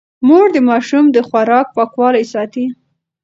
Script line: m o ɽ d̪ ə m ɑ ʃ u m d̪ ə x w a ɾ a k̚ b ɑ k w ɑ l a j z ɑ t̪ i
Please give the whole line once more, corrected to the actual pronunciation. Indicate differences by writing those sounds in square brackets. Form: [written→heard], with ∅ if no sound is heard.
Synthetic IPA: m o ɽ d̪ ə m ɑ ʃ u m d̪ ə x w a ɾ [a→ɑ] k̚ [b→p] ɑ k w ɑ l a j [z→s] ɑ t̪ i